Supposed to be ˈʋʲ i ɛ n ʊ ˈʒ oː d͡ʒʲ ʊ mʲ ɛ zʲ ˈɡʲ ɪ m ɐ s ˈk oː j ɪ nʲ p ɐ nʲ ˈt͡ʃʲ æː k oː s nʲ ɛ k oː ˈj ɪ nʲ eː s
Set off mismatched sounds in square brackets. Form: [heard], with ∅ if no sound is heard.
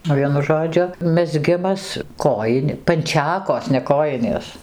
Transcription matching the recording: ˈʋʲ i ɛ n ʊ ˈʒ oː d͡ʒʲ ʊ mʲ ɛ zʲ ˈɡʲ ɪ m ɐ s ˈk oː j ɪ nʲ p ɐ nʲ ˈt͡ʃʲ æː k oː s nʲ ɛ k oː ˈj ɪ nʲ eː s